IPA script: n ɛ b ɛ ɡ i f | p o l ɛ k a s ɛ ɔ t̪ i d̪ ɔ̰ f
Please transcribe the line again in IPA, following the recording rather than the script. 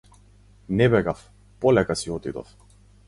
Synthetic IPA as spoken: n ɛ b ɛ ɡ a f | p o l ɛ k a s i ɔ t̪ i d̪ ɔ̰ f